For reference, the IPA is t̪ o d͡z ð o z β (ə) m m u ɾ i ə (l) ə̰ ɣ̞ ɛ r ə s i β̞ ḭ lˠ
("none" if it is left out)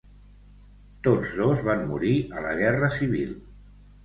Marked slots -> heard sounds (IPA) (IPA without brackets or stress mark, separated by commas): a, l